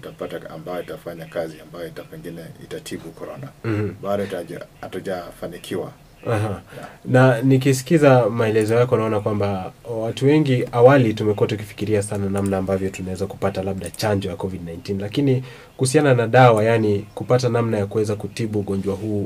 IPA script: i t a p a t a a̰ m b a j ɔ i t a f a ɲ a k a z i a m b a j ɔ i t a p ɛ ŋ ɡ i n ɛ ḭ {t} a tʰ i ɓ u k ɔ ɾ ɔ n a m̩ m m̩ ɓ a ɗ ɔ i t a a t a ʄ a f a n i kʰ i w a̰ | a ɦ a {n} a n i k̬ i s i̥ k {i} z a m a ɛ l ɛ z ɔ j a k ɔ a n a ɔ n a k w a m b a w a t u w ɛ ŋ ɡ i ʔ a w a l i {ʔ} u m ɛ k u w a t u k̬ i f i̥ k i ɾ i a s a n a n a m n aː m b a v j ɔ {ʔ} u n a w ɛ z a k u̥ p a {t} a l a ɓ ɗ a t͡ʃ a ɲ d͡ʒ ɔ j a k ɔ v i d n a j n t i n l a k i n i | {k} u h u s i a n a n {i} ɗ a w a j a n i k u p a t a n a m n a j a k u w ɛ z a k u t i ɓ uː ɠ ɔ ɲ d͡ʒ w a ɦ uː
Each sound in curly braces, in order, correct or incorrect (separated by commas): correct, correct, correct, incorrect, incorrect, correct, correct, incorrect